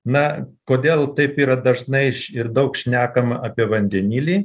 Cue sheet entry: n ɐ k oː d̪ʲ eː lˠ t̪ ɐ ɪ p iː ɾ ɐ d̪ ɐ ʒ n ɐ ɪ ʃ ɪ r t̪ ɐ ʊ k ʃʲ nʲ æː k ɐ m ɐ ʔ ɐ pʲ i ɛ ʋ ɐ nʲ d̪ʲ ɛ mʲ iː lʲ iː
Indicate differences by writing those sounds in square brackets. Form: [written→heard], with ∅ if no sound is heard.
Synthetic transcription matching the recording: n ɐ k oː d̪ʲ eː lˠ t̪ ɐ ɪ p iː ɾ ɐ d̪ ɐ ʒ n ɐ ɪ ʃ ɪ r [t̪→d̪] ɐ ʊ k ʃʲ nʲ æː k ɐ m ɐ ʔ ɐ pʲ i ɛ ʋ ɐ nʲ d̪ʲ ɛ [mʲ→nʲ] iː lʲ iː